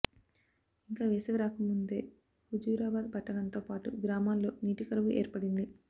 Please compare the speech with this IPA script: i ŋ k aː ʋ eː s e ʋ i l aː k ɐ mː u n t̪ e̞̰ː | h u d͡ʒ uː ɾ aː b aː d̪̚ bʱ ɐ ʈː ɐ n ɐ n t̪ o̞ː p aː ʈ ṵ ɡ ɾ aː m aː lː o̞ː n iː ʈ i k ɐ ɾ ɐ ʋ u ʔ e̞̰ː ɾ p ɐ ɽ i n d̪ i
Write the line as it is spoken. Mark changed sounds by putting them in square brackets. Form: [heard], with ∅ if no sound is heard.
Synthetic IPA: i ŋ k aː ʋ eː s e ʋ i [ɾ] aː k ɐ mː u n [d̪] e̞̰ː | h u d͡ʒ uː ɾ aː b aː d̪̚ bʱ ɐ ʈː ɐ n ɐ n t̪ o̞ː p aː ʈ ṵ ɡ ɾ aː m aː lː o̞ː n iː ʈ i k ɐ ɾ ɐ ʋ u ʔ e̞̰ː ɾ p ɐ ɽ i n d̪ i